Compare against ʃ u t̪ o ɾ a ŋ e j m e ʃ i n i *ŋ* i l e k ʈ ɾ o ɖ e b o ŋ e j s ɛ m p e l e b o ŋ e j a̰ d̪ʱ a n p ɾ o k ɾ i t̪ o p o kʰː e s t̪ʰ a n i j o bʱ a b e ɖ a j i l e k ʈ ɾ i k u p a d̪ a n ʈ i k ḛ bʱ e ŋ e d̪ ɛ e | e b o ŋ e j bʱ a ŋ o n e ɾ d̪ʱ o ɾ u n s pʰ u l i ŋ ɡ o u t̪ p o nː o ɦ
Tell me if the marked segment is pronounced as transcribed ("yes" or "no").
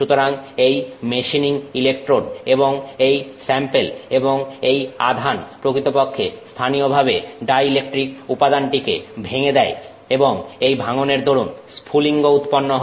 yes